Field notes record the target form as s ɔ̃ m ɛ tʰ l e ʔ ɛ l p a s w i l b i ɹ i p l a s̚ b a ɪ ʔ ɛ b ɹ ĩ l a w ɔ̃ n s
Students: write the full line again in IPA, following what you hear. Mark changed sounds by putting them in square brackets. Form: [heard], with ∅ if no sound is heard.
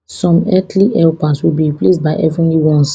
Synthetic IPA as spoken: s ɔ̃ m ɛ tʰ l [i] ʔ ɛ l p a s w i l b i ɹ i p l [e] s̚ b a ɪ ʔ ɛ [v] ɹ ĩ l [i] w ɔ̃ n s